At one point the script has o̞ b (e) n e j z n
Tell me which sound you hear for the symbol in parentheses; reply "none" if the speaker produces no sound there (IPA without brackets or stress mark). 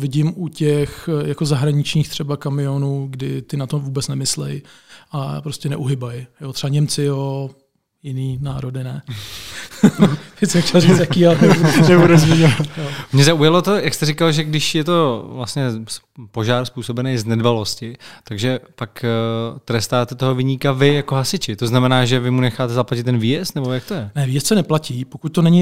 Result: ɛ